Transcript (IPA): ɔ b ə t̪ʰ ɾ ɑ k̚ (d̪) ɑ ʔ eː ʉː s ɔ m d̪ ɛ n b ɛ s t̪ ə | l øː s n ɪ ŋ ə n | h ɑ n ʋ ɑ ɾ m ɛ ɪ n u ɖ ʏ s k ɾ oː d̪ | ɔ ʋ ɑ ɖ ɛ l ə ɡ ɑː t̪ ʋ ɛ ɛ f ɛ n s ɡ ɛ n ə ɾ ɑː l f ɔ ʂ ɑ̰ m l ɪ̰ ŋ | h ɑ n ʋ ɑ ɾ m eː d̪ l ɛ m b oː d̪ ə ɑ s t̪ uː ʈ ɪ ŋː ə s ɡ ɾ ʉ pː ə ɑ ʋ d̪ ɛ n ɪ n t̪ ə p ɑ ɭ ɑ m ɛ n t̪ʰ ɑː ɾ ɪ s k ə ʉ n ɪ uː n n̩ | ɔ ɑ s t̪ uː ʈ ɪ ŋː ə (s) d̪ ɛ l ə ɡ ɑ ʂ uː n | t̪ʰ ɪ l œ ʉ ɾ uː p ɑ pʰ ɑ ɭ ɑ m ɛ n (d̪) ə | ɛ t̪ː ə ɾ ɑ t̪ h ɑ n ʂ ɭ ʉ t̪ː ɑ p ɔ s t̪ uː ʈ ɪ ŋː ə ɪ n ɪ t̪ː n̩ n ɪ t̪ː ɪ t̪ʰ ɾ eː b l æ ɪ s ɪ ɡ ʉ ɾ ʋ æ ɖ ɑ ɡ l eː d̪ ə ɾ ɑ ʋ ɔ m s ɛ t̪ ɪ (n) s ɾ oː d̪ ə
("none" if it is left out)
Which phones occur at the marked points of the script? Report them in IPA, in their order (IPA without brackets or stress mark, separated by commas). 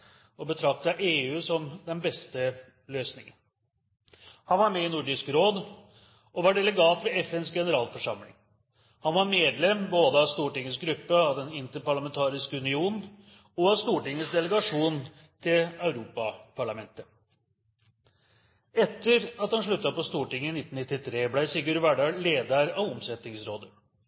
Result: t̪, s, t̪, ŋ